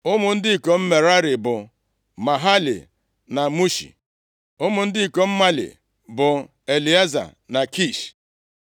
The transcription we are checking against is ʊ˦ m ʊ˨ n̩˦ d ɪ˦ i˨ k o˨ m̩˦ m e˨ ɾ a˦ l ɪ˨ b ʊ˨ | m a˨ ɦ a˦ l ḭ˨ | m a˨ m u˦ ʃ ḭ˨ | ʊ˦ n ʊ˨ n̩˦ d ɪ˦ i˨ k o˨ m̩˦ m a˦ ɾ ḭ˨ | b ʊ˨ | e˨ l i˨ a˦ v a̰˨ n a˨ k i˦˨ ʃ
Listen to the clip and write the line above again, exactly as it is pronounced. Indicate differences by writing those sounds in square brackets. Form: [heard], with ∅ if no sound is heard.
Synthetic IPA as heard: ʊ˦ m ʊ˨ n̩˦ d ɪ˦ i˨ k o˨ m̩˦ m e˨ ɾ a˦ [ɾ] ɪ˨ b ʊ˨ | m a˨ ɦ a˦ l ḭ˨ | [n] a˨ m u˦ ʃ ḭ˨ | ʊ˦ [m] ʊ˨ n̩˦ d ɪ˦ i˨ k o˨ m̩˦ m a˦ [l] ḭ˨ | b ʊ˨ | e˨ l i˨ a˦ [z] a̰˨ n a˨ k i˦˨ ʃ